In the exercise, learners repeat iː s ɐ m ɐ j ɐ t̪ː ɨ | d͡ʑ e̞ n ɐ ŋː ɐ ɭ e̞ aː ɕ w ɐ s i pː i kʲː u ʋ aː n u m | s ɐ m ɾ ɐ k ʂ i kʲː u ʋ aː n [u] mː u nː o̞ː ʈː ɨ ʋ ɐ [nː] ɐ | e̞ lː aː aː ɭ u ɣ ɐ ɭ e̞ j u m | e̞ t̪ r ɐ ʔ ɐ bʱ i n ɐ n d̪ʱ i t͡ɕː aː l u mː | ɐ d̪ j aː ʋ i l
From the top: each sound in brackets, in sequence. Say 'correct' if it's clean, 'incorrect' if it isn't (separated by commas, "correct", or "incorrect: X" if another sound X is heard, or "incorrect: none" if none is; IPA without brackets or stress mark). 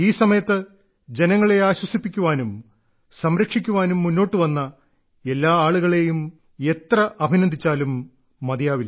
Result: correct, correct